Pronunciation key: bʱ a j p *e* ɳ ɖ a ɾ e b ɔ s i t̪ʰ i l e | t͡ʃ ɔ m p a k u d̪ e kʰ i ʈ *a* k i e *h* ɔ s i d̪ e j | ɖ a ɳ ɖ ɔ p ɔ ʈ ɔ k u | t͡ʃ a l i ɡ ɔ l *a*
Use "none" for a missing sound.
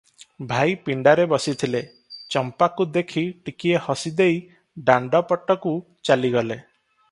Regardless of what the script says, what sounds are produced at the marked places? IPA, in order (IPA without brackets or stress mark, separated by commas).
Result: i, i, h, e